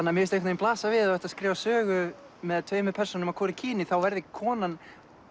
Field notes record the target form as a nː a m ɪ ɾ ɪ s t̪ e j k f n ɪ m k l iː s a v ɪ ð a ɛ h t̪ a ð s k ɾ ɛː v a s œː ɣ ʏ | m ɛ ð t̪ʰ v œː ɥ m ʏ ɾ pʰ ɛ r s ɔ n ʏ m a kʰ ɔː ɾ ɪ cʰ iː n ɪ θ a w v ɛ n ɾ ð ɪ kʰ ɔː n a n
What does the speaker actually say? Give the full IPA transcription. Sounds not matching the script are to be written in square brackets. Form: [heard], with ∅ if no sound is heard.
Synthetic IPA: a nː a m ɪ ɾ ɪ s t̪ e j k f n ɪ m [p] l [aː] s a v ɪ ð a ɛ h t̪ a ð s k ɾ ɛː v a s œː ɣ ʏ | m ɛ ð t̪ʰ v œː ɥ m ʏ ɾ pʰ ɛ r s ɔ n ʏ m a kʰ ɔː ɾ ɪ cʰ iː n ɪ θ a w v ɛ [∅] ɾ ð ɪ kʰ ɔː n a n